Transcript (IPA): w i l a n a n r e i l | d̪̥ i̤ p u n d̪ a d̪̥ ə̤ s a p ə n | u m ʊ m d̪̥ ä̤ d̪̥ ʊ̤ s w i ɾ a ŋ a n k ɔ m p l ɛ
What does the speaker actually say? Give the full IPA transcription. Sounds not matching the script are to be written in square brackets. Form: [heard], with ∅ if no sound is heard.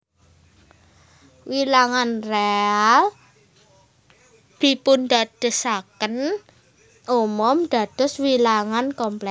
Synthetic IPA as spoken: w i l a [ŋ] a n r e [a] l | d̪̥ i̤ p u n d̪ a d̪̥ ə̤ s a [k] ə n | u m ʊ m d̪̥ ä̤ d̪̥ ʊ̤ s w i [l] a ŋ a n k ɔ m p l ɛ

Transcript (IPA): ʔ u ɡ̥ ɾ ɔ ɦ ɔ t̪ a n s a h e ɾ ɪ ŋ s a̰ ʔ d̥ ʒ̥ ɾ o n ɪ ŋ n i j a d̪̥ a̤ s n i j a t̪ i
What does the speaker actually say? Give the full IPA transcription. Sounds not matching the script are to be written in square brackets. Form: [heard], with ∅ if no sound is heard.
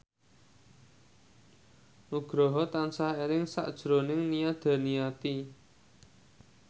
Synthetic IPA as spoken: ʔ u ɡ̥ ɾ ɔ ɦ ɔ t̪ a n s a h e ɾ ɪ ŋ s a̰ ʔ d̥ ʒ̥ ɾ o n ɪ ŋ n i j a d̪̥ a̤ [∅] n i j a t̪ i

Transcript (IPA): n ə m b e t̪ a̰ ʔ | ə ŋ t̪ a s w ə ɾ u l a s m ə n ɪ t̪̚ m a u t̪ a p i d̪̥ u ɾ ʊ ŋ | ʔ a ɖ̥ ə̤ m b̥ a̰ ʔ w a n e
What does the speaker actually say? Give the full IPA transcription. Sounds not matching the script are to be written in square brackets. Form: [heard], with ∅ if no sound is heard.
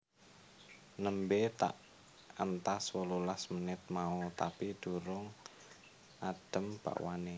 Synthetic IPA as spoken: n ə m b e t̪ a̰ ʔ | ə [n] t̪ a s w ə [l] u l a s m ə n ɪ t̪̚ m a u t̪ a p i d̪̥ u ɾ ʊ ŋ | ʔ a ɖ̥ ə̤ m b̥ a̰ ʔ w a n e

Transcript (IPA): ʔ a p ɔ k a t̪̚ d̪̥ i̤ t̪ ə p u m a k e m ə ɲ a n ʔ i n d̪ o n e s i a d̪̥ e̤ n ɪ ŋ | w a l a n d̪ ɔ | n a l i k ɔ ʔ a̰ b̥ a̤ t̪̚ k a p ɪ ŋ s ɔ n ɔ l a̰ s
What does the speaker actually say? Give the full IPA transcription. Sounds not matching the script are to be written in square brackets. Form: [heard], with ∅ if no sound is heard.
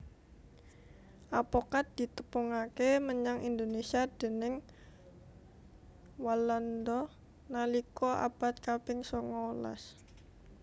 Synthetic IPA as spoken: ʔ a p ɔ k a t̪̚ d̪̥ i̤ t̪ ə p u [ŋ] a k e m ə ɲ a [ŋ] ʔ i n d̪ o n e s i a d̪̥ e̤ n ɪ ŋ | w a l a n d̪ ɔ | n a l i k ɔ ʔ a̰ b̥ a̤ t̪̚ k a p ɪ ŋ s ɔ [ŋ] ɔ l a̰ s

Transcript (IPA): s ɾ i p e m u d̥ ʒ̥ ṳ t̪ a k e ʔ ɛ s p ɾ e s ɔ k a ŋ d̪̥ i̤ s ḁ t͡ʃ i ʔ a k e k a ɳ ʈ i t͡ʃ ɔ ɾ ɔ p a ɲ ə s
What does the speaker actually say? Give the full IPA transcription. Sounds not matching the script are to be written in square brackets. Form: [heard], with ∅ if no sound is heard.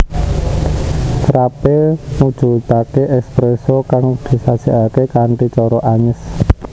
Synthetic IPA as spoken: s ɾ [a] p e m u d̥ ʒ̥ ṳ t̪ a k e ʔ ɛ s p ɾ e s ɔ k a ŋ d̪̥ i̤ s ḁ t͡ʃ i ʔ a k e k a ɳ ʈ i t͡ʃ ɔ ɾ ɔ [ʔ] a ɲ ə s

